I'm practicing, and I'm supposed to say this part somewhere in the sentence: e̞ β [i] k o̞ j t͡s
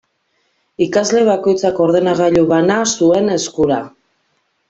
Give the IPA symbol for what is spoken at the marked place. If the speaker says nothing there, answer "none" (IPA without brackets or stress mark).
a